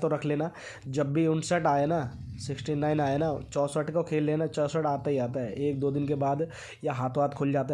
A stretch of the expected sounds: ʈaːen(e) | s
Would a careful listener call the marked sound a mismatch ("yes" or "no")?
yes